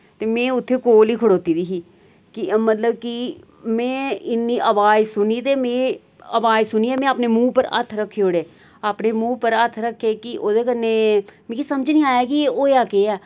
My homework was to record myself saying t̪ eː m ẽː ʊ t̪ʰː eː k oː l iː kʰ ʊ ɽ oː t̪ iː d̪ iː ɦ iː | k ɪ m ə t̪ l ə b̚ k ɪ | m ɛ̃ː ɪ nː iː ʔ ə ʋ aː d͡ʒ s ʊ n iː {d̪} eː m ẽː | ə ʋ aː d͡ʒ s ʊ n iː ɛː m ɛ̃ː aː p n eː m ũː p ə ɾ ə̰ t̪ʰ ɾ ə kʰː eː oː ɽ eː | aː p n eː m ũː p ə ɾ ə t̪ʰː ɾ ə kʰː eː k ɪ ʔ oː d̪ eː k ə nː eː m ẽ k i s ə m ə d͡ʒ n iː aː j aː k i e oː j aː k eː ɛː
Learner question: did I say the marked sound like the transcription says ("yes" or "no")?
no